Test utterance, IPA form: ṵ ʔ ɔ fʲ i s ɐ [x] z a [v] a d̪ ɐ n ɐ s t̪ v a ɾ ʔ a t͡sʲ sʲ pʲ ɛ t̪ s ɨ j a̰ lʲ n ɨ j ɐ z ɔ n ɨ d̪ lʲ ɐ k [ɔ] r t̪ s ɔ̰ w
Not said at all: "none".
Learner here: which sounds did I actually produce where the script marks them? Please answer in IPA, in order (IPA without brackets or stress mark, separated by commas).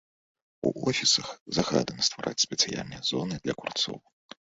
x, ɣ, u